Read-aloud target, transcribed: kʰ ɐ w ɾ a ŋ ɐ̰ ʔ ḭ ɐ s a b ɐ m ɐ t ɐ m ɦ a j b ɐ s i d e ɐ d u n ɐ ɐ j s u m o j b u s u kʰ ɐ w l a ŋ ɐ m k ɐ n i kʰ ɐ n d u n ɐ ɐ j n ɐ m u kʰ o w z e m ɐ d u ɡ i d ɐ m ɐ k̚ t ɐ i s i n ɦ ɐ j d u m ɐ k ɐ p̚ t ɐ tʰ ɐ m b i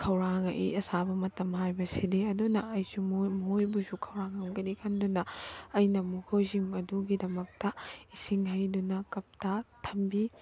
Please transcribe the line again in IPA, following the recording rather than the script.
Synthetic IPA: kʰ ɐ w ɾ a ŋ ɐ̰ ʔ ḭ ɐ s a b ɐ m ɐ t ɐ m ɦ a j b ɐ s i d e ɐ d u n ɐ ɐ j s u m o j b u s u kʰ ɐ w ɾ a ŋ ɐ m ɡ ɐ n i kʰ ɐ n d u n ɐ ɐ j n ɐ m u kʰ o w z i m ɐ d u ɡ i d ɐ m ɐ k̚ t ɐ i s i ŋ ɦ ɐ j d u n ɐ k ɐ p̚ t ɐ tʰ ɐ m b i